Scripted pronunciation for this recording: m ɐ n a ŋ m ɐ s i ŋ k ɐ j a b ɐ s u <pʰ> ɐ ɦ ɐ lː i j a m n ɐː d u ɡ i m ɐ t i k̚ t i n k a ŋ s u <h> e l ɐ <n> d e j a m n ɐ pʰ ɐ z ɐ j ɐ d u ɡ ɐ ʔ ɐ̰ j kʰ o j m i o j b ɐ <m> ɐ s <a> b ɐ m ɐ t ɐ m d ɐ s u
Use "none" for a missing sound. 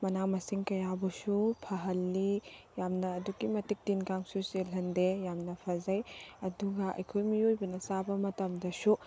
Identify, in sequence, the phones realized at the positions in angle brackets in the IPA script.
pʰ, s, n, n, a

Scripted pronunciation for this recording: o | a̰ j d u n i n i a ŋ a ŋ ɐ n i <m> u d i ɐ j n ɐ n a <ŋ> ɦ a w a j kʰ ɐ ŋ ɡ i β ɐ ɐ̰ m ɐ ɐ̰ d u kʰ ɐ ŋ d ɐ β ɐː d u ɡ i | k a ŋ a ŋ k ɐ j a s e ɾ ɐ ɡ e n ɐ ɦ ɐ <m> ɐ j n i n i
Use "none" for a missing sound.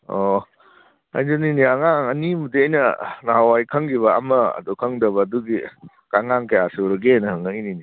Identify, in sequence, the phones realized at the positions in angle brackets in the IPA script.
m, none, ŋ

